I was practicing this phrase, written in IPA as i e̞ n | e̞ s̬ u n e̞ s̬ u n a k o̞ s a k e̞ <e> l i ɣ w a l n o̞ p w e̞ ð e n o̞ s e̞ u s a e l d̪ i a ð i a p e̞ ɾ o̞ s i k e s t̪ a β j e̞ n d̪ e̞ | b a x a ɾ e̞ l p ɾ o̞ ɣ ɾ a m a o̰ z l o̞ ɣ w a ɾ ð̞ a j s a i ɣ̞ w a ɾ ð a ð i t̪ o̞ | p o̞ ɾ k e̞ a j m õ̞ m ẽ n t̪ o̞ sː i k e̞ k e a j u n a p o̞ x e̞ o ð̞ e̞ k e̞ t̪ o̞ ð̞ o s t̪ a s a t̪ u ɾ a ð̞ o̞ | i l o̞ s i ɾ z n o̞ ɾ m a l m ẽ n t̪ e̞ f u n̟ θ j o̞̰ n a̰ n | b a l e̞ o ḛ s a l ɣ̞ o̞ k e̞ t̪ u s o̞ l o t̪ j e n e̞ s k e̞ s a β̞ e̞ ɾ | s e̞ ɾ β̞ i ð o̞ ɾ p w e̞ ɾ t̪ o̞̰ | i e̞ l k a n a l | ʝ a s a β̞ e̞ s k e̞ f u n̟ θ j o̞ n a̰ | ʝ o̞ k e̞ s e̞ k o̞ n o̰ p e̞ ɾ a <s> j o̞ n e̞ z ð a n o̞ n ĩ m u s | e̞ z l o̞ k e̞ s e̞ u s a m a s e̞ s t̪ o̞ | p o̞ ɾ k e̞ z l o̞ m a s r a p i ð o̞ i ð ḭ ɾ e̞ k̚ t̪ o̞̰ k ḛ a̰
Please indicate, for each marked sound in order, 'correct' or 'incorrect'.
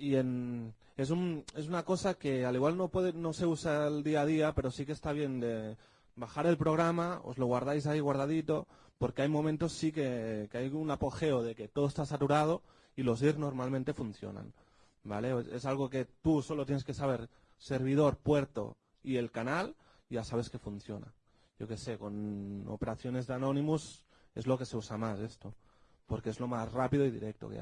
incorrect, incorrect

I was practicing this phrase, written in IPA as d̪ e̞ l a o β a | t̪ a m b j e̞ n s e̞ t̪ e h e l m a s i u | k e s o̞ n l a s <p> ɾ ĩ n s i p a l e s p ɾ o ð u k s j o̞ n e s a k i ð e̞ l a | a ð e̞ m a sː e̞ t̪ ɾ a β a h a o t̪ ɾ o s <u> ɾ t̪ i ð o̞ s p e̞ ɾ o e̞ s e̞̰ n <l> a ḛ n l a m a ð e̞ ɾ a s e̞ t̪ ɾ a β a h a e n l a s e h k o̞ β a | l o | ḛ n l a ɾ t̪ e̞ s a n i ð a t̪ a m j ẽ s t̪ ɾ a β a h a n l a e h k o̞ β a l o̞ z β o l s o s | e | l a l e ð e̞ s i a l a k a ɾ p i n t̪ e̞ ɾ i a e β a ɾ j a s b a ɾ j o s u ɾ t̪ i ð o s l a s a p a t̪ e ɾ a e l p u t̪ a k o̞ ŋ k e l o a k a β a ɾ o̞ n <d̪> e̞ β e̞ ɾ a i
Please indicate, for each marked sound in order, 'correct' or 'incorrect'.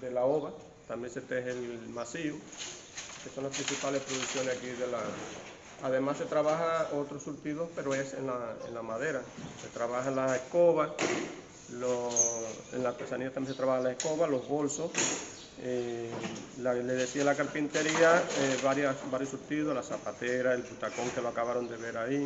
correct, correct, correct, correct

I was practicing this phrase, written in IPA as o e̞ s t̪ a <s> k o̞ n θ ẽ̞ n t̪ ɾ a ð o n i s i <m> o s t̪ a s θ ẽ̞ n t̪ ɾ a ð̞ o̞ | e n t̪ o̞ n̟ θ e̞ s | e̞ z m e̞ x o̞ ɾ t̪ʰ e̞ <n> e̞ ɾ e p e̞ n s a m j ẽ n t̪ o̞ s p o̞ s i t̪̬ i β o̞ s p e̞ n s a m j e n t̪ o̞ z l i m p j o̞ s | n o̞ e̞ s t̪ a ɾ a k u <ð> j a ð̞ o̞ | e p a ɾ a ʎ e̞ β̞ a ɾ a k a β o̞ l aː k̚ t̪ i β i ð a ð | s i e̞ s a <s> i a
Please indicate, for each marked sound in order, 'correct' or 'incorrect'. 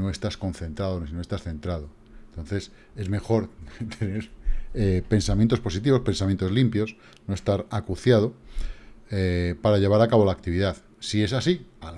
correct, incorrect, correct, incorrect, correct

